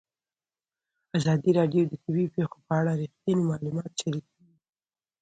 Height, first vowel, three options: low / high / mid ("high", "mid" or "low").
low